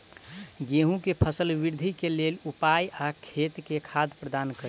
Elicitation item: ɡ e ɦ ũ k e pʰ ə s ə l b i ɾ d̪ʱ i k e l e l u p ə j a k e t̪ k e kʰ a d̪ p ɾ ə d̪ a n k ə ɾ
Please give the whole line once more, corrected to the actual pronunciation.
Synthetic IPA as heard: ɡ e ɦ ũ k e pʰ ə s ə l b i ɾ d̪ʱ i k e l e l u p a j a kʰ e t̪ k e kʰ a d̪ p ɾ ə d̪ a n k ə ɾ